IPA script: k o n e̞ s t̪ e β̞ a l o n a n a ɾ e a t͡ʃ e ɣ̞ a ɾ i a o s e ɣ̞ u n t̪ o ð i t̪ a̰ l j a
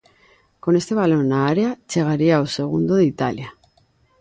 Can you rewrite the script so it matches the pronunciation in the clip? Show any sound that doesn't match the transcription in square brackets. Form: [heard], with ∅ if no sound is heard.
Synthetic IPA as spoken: k o n e̞ s t̪ e β̞ a l o n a [∅] a ɾ e a t͡ʃ e ɣ̞ a ɾ i a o s e ɣ̞ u n [d̪] o ð i t̪ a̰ l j a